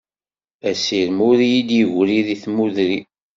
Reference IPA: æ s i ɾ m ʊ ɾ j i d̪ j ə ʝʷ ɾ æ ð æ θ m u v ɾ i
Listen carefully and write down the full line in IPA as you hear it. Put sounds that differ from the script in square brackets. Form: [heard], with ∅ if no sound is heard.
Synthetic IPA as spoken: æ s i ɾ m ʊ ɾ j i d̪ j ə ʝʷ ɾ [i] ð [i] θ m u [ð] ɾ i